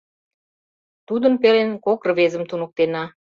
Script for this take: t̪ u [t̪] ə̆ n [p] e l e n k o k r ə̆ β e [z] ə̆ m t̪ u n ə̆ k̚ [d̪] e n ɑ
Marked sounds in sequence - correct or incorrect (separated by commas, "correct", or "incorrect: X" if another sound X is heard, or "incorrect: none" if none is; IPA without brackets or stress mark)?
incorrect: d̪, correct, correct, incorrect: t̪